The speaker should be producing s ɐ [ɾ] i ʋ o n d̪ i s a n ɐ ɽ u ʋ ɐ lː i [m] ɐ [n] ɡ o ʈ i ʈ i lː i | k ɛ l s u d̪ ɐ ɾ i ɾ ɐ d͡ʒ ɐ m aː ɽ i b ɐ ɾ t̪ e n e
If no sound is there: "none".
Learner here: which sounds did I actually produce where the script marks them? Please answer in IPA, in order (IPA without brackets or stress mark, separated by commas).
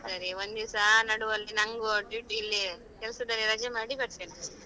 ɾ, n, ŋ